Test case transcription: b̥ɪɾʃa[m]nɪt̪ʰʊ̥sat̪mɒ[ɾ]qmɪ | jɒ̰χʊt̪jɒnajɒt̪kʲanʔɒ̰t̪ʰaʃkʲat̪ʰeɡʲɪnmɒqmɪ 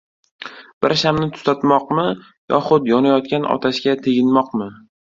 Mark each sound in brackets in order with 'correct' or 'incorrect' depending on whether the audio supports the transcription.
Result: correct, incorrect

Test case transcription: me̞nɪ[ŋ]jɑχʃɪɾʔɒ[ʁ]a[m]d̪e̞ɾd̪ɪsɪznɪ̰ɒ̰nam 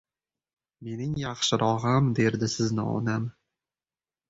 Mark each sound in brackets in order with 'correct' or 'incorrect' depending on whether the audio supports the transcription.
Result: correct, correct, correct

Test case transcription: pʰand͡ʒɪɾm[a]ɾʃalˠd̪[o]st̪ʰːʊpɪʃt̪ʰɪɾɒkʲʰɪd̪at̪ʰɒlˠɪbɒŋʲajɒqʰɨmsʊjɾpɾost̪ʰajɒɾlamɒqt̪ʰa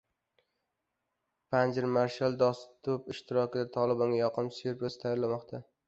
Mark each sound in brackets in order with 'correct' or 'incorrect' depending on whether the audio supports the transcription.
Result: correct, incorrect

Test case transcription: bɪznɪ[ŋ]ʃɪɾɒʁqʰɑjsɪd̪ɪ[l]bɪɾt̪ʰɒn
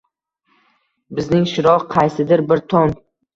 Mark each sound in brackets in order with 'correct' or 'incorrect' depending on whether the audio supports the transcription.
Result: correct, incorrect

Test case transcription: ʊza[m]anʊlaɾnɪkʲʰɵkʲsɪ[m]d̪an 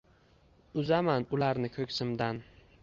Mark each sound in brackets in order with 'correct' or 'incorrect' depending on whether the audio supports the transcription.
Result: correct, correct

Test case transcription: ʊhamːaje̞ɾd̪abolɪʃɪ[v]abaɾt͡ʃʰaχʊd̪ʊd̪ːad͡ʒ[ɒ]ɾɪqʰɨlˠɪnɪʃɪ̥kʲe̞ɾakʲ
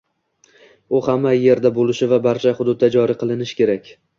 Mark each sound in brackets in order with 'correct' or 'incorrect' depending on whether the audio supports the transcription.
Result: correct, correct

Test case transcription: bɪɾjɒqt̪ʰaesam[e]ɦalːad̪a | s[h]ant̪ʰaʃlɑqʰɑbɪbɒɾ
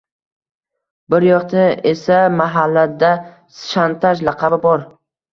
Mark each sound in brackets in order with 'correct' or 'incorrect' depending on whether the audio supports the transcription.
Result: incorrect, incorrect

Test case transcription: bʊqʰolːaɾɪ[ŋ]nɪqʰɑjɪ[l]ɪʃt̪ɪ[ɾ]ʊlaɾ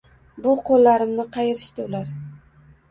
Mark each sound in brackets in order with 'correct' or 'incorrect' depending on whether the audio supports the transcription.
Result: incorrect, incorrect, incorrect

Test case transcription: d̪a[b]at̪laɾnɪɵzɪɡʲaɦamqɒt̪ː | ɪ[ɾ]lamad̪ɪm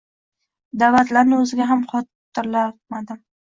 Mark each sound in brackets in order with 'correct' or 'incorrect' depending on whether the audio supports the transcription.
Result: incorrect, correct

